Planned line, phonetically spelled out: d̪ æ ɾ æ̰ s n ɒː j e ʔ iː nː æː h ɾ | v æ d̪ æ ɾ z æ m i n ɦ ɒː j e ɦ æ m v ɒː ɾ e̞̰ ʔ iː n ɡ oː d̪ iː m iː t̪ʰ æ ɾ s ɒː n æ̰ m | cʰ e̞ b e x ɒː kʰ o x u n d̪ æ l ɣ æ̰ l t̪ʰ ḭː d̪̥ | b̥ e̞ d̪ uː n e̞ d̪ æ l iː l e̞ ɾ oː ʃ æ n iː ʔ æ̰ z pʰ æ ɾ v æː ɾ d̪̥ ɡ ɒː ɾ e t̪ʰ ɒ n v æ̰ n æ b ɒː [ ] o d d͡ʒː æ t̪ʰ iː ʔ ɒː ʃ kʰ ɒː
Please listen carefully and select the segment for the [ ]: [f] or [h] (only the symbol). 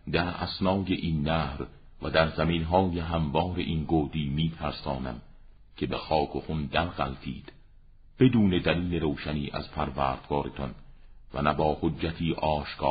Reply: h